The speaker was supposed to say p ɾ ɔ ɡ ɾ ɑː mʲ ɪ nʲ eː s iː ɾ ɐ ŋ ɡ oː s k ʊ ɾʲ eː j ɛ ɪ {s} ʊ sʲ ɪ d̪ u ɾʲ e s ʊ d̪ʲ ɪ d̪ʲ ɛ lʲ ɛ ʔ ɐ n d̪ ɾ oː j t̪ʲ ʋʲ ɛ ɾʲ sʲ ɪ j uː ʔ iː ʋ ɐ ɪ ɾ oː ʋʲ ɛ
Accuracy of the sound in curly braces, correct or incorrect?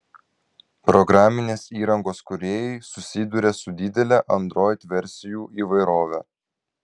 correct